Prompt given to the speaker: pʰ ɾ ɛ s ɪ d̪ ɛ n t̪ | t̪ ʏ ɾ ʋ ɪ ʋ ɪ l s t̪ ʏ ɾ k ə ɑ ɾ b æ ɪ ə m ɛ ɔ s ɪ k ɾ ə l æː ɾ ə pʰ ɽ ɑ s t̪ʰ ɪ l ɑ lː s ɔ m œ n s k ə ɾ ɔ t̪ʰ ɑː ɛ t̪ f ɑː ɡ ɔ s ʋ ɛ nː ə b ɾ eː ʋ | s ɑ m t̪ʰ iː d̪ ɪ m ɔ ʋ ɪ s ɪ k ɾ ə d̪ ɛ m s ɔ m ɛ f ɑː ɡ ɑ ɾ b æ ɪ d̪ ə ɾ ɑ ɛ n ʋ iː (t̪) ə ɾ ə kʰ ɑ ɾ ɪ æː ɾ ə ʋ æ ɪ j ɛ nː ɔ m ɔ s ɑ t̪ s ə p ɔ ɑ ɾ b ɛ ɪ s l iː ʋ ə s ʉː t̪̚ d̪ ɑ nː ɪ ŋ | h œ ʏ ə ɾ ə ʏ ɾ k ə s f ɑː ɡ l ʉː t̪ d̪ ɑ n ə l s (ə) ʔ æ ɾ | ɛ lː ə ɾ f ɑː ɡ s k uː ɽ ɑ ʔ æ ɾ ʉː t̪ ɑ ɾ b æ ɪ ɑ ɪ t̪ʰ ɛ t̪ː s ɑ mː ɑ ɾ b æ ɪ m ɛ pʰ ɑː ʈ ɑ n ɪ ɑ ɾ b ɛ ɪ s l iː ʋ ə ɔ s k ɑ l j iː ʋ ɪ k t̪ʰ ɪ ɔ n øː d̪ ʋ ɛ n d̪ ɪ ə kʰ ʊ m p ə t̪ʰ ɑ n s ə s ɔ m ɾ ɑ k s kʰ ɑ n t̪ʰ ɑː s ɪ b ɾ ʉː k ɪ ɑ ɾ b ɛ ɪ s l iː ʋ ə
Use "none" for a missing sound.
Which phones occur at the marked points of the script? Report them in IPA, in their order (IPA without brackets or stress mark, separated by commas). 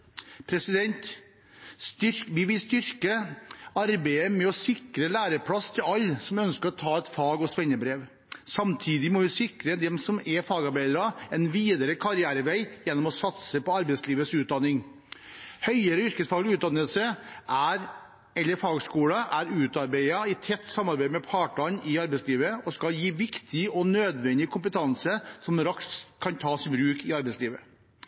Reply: d̪, ə